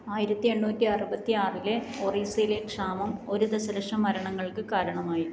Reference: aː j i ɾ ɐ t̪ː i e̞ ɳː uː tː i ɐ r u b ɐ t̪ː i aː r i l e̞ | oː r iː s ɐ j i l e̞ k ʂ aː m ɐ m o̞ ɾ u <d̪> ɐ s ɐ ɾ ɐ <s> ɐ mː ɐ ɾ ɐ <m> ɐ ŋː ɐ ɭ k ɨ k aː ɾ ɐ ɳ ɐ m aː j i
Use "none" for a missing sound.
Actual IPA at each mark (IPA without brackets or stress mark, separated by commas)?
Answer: d̪, ʂ, ɳ